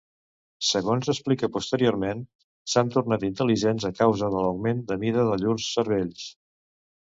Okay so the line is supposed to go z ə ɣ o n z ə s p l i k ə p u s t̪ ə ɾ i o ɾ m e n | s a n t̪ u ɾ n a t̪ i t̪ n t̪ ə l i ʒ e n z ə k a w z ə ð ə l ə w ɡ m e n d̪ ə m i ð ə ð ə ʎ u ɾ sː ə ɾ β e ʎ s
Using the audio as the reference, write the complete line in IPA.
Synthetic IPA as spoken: s ə ɣ o n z ə s p l i k ə p u s t̪ ə ɾ i o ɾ m e n | s a n t̪ u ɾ n a t̪ i n t̪ ə l i ʒ e n z ə k a w z ə ð ə l ə w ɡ m e n d̪ ə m i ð ə ð ə ʎ u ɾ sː ə ɾ β e ʎ s